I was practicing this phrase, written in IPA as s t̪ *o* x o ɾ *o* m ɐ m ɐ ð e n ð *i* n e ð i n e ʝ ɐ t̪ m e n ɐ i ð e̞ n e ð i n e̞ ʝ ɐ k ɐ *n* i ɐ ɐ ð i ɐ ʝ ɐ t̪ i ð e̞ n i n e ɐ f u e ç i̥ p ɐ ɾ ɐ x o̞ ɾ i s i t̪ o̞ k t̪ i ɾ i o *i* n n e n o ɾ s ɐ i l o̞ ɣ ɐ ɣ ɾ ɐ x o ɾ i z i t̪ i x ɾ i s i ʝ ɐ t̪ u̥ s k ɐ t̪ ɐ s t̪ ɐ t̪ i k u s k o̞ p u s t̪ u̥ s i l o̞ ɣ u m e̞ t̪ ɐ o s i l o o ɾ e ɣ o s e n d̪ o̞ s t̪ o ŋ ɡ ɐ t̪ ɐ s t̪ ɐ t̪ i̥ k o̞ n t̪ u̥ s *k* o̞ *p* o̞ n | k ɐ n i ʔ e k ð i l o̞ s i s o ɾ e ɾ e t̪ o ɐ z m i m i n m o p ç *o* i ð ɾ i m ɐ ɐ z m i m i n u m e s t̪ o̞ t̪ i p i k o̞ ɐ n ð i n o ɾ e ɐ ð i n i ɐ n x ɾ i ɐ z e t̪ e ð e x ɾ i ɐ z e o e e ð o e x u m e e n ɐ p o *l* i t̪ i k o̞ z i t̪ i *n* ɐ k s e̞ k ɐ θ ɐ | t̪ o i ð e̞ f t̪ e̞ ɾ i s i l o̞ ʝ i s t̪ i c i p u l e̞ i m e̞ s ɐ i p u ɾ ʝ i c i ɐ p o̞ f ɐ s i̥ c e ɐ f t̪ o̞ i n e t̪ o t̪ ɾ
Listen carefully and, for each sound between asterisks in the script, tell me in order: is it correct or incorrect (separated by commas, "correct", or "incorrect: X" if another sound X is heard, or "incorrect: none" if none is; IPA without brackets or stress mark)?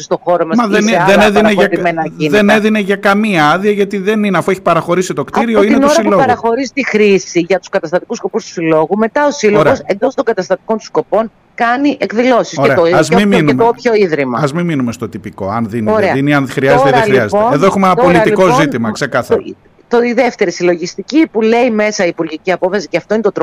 correct, correct, incorrect: e, incorrect: m, correct, correct, correct, correct, correct, incorrect: m